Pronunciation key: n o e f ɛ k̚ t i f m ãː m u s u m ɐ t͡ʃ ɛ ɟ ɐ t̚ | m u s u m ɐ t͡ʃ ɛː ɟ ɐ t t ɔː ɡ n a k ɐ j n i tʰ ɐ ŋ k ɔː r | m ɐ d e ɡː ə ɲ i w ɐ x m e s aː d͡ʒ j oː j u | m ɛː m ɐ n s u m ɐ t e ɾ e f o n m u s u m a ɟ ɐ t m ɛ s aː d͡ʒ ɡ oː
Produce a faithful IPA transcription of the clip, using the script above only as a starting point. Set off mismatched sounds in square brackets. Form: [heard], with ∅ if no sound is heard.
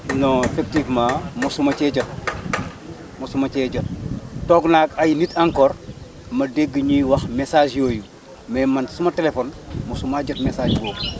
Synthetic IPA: n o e f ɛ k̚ t i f m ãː m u s u m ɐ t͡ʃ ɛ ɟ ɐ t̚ | m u s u m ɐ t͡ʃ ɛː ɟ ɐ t t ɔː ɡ n a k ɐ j n i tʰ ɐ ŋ k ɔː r | m ɐ d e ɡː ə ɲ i w ɐ x m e s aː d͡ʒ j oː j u | m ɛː m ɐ n s u m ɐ t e [l] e f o n m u s u m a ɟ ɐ t m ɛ s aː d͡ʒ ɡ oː